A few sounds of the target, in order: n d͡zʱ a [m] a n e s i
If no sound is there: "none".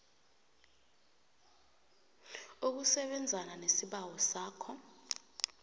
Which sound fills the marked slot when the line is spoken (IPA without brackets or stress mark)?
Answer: n